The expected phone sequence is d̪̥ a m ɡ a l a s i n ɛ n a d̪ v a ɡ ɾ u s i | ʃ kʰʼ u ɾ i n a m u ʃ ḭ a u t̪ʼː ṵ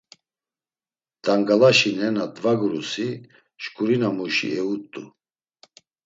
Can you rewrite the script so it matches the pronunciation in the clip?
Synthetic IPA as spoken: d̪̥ a ŋ ɡ a l a ʃ i n ɛ n a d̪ v a ɡ ɾ u s i | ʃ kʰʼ u ɾ i n a m u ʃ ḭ ɛ u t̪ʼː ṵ